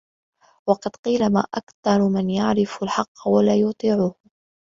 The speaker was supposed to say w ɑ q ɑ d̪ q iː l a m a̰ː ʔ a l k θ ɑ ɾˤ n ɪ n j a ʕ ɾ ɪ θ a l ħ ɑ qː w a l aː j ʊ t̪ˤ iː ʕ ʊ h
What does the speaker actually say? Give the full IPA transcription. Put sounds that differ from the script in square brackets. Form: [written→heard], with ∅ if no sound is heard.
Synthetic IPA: w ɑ q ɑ d̪ q iː l a m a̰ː ʔ a [l→∅] k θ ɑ ɾˤ [n→m] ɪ n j a ʕ ɾ ɪ [θ→f] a l ħ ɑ qː w a l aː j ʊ t̪ˤ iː ʕ ʊ h